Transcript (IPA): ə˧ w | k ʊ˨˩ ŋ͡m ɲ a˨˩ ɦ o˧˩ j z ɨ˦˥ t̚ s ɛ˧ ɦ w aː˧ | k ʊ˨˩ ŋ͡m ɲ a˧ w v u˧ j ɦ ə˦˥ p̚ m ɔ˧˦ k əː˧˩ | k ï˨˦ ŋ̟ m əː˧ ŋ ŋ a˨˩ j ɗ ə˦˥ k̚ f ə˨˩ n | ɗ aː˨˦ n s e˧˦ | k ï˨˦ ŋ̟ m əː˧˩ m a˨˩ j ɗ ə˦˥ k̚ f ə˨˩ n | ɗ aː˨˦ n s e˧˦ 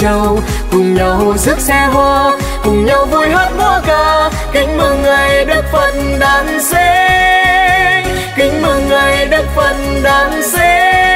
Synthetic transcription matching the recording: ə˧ w | k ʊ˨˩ ŋ͡m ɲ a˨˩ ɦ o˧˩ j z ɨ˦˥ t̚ s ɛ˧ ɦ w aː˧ | k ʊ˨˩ ŋ͡m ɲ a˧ w v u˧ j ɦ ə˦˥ t̚ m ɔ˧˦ k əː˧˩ | k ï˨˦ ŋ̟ m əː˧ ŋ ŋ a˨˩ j ɗ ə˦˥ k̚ f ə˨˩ n | ɗ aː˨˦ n s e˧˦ | k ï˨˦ ŋ̟ m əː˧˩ ŋ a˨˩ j ɗ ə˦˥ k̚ f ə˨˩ n | ɗ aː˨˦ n s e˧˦